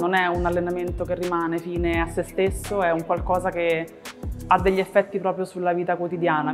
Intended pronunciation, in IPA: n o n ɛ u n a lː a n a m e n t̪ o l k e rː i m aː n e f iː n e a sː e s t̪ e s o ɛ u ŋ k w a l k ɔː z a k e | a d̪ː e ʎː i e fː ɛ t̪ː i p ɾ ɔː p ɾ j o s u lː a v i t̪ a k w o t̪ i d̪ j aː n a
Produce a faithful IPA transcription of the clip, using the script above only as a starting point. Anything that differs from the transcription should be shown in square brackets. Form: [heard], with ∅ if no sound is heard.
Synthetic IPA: n o n ɛ u n a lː [e] n a m e n t̪ o [∅] k e rː i m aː n e f iː n e a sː e s t̪ e [sː] o ɛ u ŋ k w a l k ɔː z a k e | a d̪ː e ʎː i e fː ɛ t̪ː i p ɾ ɔː p ɾ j o s u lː a v [iː] t̪ a k w o t̪ i d̪ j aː n a